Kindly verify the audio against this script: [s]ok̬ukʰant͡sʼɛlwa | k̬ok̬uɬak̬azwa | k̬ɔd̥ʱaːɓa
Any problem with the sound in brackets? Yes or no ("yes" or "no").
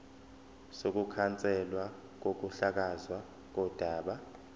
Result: no